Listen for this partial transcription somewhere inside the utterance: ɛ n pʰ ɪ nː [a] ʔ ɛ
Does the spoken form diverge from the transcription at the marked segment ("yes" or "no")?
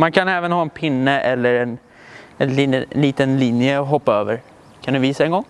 yes